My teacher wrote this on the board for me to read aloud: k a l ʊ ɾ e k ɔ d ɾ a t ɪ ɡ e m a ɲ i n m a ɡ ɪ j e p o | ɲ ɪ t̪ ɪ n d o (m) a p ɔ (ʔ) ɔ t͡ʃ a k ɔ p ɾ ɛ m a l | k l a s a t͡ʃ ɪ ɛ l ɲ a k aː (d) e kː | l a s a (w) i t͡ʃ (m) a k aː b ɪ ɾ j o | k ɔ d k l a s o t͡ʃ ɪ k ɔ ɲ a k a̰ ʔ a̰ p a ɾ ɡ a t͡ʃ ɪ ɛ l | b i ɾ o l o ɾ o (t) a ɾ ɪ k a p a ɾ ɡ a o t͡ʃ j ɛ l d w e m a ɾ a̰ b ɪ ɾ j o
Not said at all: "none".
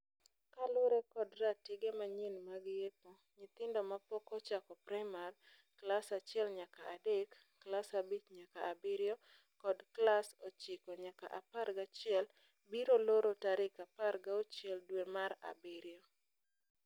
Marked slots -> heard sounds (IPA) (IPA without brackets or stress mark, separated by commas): m, k, d, b, ɲ, t